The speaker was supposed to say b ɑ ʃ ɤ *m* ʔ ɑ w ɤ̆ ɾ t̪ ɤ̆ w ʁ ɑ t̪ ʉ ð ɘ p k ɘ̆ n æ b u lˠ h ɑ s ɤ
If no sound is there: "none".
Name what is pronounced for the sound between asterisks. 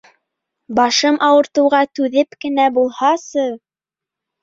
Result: m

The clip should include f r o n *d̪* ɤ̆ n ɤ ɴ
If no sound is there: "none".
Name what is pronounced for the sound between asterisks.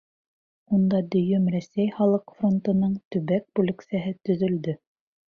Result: t̪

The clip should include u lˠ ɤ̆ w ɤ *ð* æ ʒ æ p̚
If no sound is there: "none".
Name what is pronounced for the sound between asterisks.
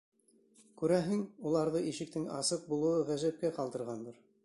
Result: ʁ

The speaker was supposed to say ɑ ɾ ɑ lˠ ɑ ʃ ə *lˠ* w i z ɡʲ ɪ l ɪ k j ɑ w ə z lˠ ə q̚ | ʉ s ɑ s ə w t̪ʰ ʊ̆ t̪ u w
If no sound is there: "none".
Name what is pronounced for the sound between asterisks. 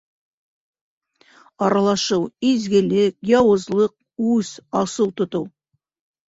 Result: none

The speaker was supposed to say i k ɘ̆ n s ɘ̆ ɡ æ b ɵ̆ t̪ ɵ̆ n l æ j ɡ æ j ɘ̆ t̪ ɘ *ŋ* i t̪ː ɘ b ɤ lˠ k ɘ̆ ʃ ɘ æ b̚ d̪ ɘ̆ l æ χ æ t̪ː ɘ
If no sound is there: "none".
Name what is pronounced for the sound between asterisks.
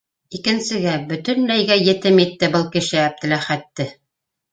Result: m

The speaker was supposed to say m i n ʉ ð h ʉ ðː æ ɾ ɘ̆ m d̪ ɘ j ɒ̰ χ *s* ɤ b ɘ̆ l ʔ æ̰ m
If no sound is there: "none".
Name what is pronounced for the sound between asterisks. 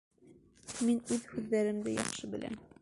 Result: ʃ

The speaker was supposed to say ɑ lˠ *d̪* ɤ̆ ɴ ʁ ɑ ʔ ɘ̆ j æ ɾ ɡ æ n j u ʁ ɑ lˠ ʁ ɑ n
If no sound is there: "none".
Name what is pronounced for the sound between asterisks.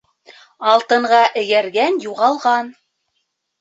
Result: t̪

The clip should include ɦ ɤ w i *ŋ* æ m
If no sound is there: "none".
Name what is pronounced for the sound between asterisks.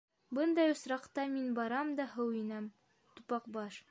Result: n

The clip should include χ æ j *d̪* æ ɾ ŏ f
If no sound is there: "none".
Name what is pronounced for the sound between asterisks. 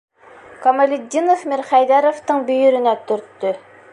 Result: d̪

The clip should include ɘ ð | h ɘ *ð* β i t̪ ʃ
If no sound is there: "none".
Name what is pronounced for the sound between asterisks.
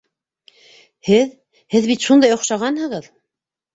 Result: ð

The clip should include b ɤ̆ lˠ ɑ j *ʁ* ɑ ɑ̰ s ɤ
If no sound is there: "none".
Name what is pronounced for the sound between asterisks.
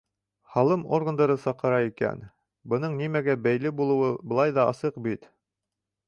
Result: ð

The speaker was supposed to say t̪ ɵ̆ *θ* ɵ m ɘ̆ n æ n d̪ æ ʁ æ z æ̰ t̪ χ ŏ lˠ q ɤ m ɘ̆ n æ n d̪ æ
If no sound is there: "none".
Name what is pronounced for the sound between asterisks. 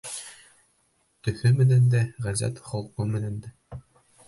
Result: θ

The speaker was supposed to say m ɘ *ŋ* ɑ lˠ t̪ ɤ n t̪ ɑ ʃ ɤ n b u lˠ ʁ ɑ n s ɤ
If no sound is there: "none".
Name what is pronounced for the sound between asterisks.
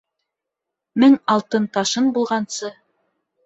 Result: ŋ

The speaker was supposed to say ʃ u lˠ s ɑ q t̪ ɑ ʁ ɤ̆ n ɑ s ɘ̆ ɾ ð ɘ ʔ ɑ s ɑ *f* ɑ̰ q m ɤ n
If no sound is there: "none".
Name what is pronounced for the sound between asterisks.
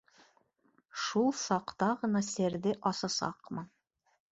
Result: s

